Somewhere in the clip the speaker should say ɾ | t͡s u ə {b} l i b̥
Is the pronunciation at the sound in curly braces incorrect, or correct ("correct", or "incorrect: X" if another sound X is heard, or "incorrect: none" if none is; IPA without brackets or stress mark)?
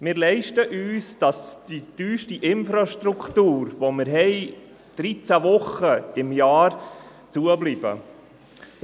correct